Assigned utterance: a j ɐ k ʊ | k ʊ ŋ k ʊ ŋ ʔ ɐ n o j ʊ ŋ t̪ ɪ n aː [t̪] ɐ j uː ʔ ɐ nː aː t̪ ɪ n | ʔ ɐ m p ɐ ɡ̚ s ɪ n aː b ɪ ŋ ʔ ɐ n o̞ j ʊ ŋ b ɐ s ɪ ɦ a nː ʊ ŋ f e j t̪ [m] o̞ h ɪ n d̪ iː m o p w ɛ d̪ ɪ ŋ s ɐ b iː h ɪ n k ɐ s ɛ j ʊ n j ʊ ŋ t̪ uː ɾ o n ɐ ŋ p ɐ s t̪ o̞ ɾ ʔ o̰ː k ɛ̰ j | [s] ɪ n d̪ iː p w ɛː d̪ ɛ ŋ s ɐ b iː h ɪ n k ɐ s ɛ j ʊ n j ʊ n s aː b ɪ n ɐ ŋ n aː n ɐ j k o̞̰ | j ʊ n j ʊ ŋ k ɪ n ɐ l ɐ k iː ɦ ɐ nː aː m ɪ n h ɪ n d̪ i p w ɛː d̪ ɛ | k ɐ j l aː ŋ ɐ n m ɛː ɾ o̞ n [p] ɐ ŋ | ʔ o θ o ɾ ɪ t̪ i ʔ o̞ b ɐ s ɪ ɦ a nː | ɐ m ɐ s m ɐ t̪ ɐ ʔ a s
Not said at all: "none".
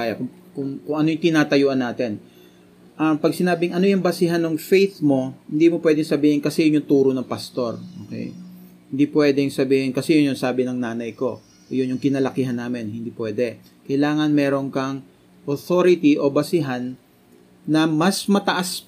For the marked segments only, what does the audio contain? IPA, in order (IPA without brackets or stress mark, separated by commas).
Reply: t̪, m, h, k